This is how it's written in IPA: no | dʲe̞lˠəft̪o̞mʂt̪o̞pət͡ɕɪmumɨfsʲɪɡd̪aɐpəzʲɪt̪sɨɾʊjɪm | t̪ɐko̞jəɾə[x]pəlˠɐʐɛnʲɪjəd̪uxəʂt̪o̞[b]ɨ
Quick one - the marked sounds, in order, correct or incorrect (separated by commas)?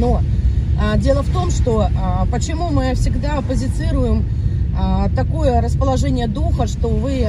incorrect, incorrect